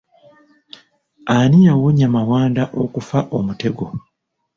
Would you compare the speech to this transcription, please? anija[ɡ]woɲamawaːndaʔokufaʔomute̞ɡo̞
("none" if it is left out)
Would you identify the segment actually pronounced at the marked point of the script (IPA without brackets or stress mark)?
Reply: none